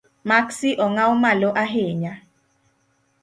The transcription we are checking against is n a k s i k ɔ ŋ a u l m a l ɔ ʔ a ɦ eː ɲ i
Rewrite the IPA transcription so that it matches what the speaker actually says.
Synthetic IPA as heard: m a k s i ʔ ɔ ŋ a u m a l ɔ ʔ a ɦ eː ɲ a